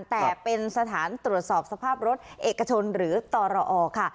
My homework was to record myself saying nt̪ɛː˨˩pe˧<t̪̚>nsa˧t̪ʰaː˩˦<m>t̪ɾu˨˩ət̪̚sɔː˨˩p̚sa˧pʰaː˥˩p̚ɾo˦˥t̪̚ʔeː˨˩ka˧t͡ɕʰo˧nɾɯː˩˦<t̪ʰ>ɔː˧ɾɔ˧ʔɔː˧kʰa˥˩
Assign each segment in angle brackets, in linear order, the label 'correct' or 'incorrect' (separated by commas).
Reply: incorrect, incorrect, incorrect